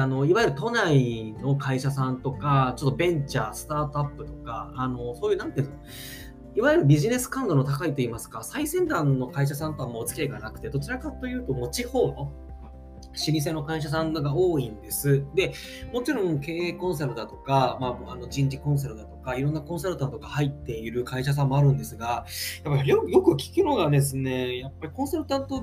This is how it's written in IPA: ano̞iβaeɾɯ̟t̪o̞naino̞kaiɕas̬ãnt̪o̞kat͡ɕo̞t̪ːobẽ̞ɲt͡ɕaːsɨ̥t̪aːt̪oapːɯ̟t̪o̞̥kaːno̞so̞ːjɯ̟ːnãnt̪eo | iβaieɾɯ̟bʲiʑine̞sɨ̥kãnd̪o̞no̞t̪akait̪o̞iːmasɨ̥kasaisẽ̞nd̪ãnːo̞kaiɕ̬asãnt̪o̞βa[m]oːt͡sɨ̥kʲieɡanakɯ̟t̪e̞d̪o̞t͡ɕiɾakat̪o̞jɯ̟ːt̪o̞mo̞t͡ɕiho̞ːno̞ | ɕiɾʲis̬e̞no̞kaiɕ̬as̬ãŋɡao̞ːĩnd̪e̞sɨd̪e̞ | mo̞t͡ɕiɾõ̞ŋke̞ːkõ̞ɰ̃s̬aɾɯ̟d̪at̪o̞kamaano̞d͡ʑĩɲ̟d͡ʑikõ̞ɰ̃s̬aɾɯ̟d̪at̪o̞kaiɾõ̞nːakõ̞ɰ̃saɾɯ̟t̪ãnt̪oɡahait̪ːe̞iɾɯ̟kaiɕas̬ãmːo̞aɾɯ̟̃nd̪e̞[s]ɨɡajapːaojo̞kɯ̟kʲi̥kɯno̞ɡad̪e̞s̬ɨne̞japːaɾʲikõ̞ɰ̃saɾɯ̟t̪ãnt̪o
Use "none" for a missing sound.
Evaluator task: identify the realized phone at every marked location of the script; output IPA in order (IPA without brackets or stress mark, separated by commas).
m, s